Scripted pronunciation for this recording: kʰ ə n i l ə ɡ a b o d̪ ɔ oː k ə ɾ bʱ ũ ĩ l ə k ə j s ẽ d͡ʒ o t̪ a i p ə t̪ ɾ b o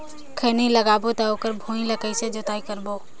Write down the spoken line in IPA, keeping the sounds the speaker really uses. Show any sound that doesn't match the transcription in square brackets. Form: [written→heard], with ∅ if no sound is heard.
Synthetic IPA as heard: kʰ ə n i l ə ɡ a b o [d̪→t̪] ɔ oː k ə ɾ bʱ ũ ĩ l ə k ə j s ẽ d͡ʒ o t̪ a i [p→k] ə [t̪→∅] ɾ b o